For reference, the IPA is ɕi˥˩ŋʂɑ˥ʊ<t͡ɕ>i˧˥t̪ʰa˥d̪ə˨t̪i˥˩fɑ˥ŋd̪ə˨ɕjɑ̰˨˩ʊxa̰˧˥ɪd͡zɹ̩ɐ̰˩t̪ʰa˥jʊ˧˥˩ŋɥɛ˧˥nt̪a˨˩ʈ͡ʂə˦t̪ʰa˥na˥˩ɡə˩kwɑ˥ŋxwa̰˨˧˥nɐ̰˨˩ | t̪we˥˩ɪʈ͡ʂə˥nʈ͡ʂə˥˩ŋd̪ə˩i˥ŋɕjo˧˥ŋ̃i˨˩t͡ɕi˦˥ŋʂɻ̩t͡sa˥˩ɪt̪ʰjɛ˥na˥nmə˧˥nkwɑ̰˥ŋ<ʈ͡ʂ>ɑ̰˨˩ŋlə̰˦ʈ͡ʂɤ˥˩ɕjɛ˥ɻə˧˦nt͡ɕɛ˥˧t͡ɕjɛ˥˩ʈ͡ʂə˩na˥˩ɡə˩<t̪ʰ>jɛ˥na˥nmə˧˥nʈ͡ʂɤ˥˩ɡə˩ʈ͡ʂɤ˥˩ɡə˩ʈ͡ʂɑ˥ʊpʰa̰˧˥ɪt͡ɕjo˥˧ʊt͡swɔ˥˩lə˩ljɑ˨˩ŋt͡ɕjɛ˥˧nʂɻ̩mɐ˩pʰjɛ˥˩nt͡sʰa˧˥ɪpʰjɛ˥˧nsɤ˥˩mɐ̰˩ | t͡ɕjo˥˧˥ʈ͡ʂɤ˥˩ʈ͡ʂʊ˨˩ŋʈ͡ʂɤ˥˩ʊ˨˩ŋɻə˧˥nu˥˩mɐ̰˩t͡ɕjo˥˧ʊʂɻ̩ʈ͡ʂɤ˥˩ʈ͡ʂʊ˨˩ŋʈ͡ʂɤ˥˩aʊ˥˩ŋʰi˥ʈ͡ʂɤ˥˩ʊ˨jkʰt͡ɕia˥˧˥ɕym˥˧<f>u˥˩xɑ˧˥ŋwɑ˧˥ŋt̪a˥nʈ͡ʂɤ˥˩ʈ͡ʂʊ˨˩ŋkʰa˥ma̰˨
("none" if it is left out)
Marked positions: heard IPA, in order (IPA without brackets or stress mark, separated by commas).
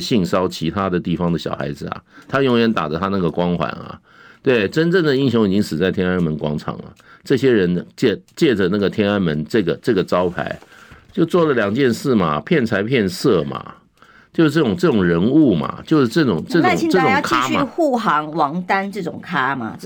t͡ɕʰ, ʈ͡ʂʰ, t̪ʰ, x